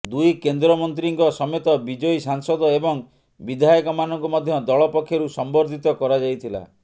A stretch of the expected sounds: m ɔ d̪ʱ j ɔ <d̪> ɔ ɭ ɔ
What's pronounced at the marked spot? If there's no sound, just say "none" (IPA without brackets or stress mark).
d̪